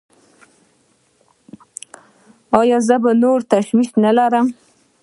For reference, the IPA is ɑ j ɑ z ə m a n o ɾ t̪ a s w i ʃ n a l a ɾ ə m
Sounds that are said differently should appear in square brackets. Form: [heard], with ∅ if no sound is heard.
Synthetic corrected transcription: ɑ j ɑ z ə [b] a n o ɾ t̪ a [ʃ] w i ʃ n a l a ɾ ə m